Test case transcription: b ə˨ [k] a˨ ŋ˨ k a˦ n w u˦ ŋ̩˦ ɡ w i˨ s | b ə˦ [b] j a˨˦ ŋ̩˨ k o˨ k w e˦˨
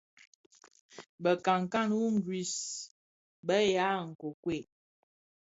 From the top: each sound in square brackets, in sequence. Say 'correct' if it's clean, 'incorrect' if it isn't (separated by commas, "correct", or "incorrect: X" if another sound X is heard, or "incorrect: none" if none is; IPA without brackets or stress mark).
correct, incorrect: none